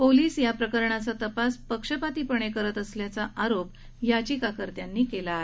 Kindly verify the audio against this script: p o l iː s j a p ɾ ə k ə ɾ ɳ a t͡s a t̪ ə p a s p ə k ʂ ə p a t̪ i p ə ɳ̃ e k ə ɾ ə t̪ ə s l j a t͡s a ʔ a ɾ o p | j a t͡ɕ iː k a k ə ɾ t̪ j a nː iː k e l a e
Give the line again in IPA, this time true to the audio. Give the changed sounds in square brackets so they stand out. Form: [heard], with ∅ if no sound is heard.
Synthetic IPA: p o l iː s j a p ɾ ə k ə ɾ ɳ a t͡s a t̪ ə p a s p ə k ʂ ə p a t̪ i p ə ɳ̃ e k ə ɾ ə t̪ ə s l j a t͡s a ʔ a ɾ o p | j a t͡ɕ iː k a k ə ɾ t̪ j a nː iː k e l a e